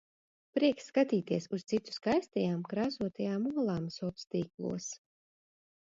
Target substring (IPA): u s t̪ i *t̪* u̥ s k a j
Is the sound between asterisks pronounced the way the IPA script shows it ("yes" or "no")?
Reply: yes